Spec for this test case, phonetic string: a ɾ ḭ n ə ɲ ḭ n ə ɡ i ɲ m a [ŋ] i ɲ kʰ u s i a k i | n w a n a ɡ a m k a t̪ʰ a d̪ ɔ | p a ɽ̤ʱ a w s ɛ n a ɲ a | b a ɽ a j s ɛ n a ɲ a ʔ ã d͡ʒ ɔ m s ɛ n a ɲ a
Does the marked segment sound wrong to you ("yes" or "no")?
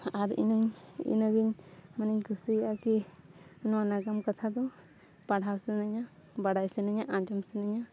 yes